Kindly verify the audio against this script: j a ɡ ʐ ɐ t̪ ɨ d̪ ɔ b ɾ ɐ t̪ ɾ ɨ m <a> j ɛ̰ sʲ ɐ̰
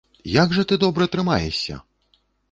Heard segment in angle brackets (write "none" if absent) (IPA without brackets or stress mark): a